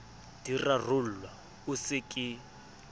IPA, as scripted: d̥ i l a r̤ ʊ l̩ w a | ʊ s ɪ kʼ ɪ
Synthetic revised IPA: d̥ i r a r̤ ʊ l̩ w a | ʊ s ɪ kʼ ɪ